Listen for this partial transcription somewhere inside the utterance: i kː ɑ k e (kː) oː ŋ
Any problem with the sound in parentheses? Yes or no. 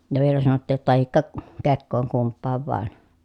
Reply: no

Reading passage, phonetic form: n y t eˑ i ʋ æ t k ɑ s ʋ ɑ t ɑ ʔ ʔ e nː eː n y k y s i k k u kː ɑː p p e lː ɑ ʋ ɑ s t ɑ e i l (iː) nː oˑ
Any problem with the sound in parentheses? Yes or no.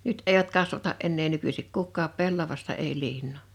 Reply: no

